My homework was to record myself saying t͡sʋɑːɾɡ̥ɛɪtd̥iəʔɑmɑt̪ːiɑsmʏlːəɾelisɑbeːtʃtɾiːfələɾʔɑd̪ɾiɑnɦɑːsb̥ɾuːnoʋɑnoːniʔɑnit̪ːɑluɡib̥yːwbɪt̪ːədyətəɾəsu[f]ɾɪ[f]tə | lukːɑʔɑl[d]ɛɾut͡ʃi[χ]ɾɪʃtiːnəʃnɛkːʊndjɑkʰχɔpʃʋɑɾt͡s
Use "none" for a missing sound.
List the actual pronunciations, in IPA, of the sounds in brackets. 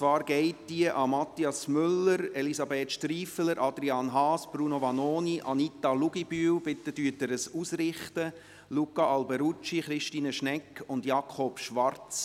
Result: s, χ, b, χ

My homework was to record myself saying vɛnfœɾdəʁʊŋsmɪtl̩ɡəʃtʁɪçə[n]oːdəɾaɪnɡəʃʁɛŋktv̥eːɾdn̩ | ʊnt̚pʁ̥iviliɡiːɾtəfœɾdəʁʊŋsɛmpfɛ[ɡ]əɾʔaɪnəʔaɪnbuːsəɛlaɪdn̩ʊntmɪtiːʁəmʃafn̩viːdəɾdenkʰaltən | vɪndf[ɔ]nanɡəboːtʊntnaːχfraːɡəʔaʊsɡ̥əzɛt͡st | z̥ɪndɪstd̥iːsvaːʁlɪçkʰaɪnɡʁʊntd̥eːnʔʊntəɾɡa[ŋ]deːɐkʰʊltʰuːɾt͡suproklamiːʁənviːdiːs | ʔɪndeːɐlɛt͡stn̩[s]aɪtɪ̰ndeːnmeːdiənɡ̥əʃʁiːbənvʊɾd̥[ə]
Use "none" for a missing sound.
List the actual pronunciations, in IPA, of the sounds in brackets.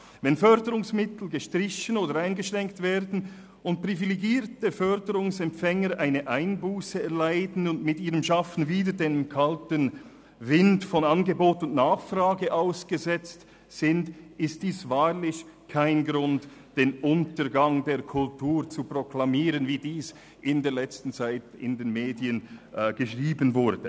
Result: n, ŋ, ɔ, ŋ, t͡s, ə

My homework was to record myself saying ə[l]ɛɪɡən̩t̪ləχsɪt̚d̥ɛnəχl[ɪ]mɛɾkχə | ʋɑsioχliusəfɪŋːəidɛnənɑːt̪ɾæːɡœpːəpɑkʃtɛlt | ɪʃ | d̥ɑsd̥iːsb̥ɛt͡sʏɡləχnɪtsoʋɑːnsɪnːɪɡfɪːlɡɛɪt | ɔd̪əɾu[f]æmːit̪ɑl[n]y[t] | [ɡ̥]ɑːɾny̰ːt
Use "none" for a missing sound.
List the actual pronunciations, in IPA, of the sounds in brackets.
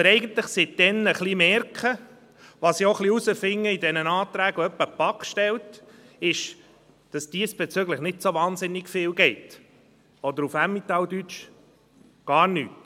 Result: ɾ, i, f, d, t͡ʃ, ɡ̥

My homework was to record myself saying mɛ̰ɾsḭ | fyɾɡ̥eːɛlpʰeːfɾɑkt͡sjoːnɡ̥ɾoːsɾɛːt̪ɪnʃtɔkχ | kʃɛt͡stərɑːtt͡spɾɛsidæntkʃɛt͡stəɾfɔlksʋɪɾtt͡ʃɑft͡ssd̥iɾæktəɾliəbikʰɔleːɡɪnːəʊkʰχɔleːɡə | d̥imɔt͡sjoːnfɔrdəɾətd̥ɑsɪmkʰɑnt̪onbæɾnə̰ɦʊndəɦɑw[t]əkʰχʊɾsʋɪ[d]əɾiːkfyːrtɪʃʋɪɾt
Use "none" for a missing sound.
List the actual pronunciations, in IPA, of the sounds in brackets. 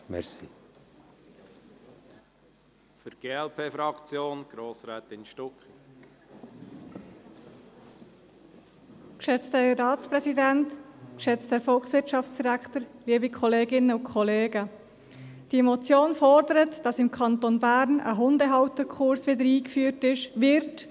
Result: t, d

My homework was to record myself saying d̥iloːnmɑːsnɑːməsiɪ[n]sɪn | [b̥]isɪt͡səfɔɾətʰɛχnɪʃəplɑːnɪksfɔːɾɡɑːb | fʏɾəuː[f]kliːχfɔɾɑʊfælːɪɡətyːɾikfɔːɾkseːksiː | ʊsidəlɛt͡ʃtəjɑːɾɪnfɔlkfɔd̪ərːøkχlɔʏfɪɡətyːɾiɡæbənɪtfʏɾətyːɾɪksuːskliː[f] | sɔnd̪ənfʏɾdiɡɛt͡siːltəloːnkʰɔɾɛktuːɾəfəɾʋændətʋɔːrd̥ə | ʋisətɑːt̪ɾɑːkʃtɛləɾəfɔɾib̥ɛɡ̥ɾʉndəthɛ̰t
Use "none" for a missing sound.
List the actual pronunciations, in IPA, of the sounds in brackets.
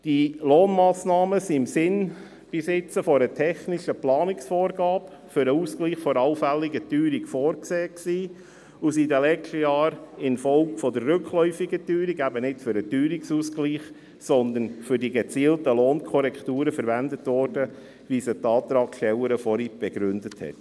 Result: m, b̥, s, χ

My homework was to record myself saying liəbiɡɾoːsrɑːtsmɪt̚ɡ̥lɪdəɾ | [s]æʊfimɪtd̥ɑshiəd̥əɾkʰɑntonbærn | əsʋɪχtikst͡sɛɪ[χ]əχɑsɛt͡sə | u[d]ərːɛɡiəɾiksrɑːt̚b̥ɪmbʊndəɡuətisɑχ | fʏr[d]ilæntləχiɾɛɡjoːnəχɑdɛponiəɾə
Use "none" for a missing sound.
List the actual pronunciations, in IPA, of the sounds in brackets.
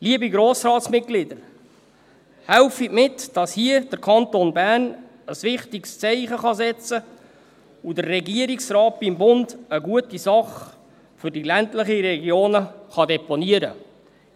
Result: h, χ, d, d

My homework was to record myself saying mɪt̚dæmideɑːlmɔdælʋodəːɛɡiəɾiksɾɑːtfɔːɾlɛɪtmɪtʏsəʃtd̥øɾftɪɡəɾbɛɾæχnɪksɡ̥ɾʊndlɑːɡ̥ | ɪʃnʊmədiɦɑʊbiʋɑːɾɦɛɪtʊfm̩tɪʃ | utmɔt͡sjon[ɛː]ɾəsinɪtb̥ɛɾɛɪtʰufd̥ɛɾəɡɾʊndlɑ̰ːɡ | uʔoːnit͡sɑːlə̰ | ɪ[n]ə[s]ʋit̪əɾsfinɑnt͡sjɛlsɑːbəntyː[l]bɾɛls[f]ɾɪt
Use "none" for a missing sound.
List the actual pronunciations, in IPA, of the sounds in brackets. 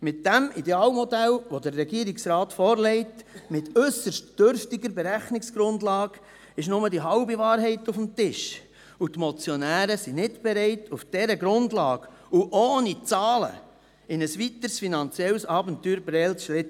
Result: æː, n, s, ɾ, ʃ

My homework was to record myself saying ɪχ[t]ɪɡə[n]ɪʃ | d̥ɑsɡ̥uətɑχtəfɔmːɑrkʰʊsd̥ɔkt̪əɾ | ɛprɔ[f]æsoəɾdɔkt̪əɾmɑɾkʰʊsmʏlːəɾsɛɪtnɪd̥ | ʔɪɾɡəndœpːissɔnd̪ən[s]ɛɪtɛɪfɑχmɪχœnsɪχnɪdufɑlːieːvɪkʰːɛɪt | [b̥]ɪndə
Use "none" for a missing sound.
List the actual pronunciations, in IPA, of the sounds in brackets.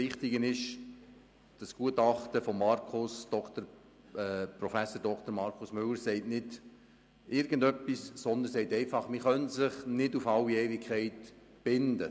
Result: t, n, f, s, b̥

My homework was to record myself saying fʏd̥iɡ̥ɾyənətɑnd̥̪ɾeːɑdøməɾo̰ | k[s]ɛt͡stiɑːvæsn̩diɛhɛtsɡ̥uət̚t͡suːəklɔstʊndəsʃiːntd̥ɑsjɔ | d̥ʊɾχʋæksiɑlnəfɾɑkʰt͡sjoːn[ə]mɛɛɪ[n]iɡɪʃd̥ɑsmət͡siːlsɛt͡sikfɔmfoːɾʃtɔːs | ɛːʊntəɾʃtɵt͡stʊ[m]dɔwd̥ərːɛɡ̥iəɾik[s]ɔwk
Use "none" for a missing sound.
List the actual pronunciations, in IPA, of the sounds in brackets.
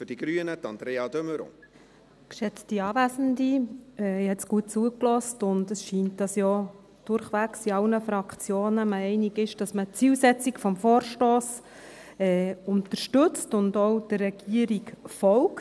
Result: ʃ, ə, n, n, f

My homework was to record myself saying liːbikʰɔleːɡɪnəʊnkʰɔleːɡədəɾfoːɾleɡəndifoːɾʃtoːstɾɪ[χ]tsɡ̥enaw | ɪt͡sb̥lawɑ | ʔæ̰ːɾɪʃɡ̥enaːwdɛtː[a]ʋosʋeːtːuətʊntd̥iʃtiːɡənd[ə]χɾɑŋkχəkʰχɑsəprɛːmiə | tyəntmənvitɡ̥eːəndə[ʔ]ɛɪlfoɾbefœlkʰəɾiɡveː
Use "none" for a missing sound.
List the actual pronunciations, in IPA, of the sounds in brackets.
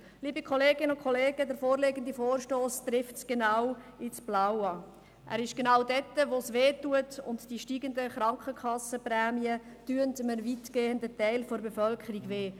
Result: f, ə, ə, t

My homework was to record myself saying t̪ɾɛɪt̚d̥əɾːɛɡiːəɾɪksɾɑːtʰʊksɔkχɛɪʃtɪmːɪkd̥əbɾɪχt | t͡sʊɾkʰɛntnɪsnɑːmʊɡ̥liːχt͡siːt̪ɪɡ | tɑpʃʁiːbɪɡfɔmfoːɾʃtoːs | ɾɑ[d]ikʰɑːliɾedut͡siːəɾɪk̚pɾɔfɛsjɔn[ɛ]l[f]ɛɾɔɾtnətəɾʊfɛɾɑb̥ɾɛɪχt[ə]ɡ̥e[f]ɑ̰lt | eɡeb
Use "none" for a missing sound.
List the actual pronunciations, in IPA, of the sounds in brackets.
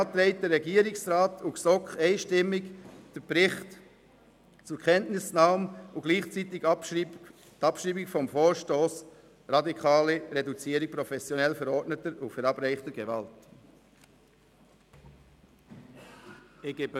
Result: d, ɛ, f, ə, v

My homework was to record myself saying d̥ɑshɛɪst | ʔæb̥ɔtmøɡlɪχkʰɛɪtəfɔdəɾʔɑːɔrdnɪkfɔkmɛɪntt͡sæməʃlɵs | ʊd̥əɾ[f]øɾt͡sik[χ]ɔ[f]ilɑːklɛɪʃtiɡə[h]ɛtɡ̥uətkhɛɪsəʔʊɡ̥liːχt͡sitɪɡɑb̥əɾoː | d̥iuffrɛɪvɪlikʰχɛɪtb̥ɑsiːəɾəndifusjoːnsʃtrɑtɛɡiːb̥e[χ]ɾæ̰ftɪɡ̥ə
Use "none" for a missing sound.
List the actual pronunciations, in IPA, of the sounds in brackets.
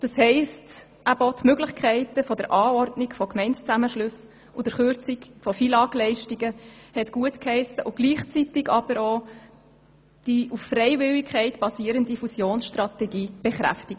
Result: χ, f, f, h, χ

